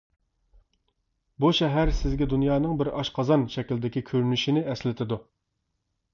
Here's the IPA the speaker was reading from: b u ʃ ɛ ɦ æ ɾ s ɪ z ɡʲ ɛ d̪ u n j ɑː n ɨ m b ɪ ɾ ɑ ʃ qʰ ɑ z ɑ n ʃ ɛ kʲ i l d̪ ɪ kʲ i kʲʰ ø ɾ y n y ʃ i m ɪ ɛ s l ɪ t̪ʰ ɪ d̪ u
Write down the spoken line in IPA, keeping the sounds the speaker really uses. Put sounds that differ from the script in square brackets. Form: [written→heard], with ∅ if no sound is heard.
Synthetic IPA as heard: b u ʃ ɛ ɦ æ ɾ s ɪ z ɡʲ ɛ d̪ u n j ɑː n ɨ [m→ŋ] b ɪ ɾ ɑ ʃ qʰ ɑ z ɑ n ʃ ɛ kʲ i l d̪ ɪ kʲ i kʲʰ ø ɾ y n y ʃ i [m→n] ɪ ɛ s l ɪ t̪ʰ ɪ d̪ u